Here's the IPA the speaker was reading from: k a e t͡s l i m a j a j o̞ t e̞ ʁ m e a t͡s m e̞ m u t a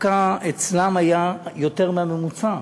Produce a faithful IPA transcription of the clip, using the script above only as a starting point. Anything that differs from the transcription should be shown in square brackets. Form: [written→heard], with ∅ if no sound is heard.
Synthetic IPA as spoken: k a e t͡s l [i→a] m a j a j o̞ t e̞ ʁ m e a [t͡s→∅] m e̞ m u [t→t͡s] a